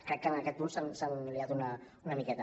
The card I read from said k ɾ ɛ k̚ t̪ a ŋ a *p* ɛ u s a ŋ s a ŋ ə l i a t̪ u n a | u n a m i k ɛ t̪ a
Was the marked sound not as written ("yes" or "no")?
yes